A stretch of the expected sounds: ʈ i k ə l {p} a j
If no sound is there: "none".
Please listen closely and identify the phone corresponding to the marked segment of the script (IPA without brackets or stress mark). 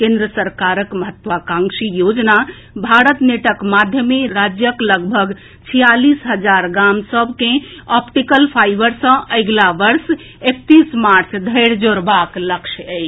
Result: pʰ